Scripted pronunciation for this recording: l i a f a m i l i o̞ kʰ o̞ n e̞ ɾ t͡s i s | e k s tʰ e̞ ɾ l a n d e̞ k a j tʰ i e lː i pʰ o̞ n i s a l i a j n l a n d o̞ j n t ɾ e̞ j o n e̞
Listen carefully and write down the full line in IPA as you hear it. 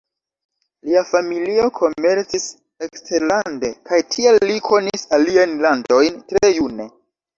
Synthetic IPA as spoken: l i a f a m i l i o̞ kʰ o̞ m e̞ ɾ t͡s i s | e k s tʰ e̞ ɾ l a n d e̞ k a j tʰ i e lː i kʰ o̞ n i s a l i a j n l a n d o̞ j n t ɾ e̞ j u n e̞

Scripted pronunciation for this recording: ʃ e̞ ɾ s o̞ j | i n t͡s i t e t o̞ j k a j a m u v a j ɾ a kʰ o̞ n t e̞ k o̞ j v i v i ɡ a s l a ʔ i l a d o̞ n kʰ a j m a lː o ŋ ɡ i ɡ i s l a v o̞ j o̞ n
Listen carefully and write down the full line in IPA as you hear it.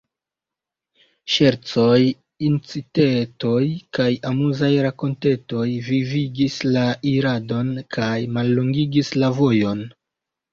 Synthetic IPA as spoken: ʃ e̞ ɾ t͡s o̞ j | i n t͡s i t e t o̞ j k a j a m u z a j ɾ a k o̞ n t e̞ t o̞ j v i v i ɡ i s l a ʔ i ɾ a d o̞ n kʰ a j m a lː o ŋ ɡ i ɡ i s l a v o̞ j o̞ n

